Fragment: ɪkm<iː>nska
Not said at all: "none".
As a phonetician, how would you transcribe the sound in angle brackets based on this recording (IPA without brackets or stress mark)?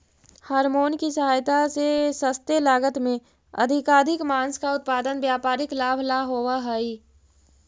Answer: aː